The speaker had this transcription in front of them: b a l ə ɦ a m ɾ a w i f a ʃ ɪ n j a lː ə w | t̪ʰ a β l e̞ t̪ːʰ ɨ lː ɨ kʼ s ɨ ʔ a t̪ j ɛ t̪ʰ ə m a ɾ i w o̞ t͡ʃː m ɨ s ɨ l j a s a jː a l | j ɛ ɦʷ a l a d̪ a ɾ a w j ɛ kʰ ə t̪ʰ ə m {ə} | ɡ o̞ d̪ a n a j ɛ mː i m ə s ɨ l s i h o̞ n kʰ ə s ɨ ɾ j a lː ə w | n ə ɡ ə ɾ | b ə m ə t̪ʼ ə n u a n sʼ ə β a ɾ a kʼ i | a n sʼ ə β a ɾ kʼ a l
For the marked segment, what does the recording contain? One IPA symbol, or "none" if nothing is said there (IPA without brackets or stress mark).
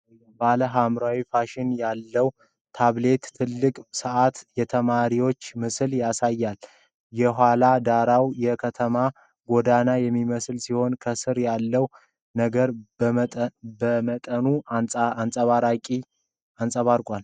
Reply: a